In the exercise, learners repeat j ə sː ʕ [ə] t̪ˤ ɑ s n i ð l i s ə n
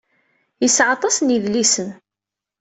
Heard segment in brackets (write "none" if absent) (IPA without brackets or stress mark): ɑ